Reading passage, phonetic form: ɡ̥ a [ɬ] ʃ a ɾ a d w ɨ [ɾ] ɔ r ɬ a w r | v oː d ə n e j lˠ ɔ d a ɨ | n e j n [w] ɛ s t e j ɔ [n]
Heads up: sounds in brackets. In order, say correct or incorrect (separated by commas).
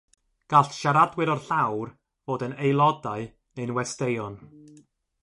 correct, correct, correct, correct